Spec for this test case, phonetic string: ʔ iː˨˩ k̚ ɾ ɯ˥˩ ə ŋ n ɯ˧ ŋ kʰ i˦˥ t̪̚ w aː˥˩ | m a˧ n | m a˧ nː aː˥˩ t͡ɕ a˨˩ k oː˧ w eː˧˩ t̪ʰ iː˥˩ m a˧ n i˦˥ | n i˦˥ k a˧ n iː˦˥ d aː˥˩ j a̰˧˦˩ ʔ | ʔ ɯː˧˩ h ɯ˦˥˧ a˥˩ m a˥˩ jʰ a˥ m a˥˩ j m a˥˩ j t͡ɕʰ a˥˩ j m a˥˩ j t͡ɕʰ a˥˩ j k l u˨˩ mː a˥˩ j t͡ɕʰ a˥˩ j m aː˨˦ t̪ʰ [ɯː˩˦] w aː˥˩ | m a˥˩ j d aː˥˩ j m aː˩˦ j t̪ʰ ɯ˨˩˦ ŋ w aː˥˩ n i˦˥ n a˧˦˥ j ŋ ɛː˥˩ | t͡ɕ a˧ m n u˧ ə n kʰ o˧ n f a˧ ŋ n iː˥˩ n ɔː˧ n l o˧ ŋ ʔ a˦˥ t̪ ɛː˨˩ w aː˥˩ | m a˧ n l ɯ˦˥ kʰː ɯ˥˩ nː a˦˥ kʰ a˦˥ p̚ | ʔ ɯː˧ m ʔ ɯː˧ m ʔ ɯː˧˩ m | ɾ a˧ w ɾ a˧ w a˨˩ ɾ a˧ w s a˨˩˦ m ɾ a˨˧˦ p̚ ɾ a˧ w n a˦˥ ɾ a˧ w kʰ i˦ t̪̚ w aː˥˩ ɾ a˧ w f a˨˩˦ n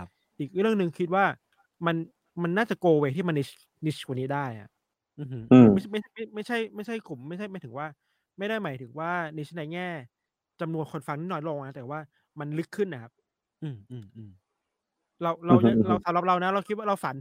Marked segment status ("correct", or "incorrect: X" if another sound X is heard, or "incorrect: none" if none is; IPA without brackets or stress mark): incorrect: ɯ˩˦